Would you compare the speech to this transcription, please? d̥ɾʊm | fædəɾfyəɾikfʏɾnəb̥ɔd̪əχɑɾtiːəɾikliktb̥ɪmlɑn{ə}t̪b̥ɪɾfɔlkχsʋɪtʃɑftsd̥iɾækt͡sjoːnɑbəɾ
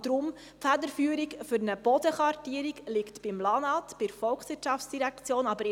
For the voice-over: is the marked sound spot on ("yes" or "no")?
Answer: no